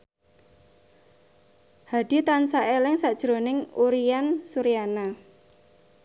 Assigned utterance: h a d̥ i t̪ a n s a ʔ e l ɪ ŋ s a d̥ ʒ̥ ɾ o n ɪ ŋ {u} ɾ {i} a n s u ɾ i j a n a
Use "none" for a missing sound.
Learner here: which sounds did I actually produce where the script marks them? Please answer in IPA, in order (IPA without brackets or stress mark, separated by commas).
u, i